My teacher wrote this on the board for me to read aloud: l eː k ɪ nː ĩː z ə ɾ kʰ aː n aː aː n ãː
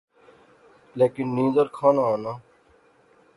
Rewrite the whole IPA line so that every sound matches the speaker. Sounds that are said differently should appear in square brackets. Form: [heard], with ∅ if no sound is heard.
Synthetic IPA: l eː k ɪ nː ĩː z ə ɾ kʰ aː n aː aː n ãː